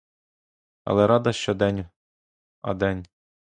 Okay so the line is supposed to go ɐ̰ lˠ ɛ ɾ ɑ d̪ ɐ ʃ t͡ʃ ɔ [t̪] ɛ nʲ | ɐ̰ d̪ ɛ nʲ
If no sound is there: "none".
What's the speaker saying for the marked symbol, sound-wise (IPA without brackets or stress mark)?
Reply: d̪